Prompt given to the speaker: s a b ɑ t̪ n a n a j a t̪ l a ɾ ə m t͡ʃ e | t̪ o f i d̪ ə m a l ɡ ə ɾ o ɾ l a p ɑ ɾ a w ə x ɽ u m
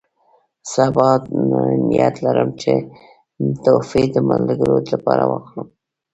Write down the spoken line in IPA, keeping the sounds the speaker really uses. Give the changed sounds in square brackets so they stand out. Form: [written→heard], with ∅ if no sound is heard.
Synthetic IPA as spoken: s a b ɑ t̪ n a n [a→i] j a t̪ l a ɾ ə m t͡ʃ e | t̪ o f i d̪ ə m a l ɡ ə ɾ o [ɾ→∅] l a p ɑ ɾ a w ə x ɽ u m